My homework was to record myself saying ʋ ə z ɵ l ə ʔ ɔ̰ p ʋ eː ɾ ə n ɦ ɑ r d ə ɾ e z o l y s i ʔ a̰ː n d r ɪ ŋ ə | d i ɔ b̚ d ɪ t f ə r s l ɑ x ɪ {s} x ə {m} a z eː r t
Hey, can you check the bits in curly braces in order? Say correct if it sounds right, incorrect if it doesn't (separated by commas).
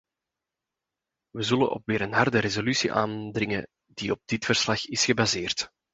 correct, incorrect